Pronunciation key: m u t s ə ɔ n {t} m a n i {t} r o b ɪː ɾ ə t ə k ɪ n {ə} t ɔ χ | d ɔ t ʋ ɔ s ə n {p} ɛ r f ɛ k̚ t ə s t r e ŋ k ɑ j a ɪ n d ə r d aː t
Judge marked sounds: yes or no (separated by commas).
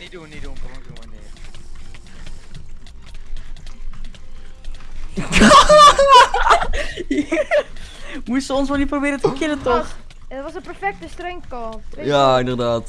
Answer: no, no, yes, yes